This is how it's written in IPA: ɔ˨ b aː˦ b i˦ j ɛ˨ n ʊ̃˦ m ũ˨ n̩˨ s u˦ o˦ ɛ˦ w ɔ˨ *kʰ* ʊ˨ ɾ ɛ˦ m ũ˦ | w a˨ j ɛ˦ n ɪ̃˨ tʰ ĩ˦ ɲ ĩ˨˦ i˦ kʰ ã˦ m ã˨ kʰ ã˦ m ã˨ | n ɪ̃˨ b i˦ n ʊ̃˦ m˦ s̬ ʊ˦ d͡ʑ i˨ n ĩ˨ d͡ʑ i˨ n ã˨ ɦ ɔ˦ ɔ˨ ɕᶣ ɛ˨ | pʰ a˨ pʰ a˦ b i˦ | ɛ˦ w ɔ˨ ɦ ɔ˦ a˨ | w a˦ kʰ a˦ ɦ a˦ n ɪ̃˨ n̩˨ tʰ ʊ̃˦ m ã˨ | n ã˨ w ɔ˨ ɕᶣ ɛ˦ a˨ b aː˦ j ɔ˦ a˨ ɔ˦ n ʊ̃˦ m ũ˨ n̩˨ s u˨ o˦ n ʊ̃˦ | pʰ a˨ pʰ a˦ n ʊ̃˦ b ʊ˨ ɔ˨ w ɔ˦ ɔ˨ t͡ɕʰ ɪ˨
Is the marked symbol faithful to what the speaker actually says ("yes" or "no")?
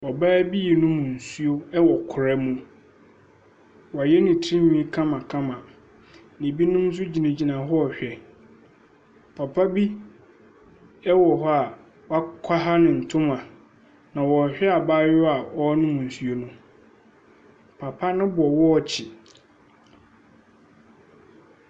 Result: yes